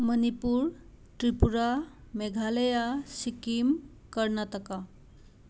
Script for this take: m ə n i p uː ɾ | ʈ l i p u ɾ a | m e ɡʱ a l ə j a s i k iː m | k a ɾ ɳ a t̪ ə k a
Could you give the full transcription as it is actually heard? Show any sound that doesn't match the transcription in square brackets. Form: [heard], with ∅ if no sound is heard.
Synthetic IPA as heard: m ə n i p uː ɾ | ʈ [ɾ] i p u ɾ a | m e ɡʱ a l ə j a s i k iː m | k [ə] ɾ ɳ a t̪ ə k a